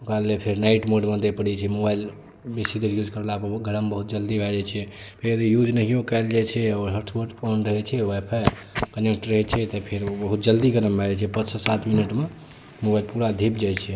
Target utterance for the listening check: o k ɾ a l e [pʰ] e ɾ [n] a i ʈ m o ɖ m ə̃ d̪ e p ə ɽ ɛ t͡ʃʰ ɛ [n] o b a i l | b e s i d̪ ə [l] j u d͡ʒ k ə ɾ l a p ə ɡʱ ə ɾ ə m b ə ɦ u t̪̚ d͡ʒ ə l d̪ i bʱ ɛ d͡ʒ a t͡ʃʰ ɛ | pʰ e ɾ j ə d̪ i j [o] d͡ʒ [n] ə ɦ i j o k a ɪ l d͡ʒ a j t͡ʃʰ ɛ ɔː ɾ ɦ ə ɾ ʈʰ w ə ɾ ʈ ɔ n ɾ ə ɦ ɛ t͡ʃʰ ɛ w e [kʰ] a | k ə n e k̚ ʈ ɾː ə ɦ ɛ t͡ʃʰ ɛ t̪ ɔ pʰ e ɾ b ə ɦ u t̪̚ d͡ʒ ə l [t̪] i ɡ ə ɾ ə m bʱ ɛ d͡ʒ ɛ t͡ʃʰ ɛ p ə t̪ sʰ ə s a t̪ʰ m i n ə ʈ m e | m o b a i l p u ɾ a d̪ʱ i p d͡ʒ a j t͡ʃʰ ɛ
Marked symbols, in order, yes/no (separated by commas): yes, yes, no, no, no, yes, no, no